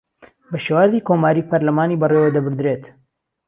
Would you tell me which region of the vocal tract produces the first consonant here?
lips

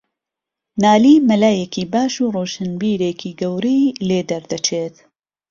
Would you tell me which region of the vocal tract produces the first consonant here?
tongue tip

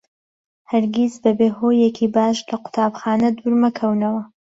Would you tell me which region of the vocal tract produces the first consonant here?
throat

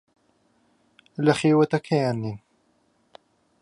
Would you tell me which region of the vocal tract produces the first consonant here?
tongue tip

